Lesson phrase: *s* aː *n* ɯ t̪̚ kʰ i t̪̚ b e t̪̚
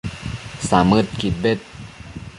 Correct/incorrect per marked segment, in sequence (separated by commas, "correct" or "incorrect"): correct, incorrect